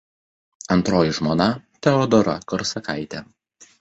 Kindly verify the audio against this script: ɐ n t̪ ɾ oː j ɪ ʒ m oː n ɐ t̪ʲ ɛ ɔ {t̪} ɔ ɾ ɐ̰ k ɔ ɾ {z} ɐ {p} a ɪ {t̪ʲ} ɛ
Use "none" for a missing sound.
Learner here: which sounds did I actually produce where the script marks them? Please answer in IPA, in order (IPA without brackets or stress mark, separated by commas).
d̪, s, k, t̪ʲ